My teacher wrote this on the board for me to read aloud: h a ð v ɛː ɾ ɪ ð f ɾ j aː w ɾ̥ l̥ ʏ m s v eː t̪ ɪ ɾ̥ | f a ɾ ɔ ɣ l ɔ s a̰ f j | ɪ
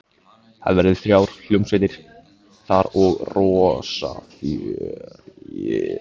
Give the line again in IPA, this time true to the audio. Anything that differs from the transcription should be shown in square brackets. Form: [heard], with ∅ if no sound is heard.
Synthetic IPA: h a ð v [ɛ] ɾ ɪ ð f ɾ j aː w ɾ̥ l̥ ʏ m s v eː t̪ ɪ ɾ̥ | [θ] a ɾ ɔ ɣ [r] ɔ s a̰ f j | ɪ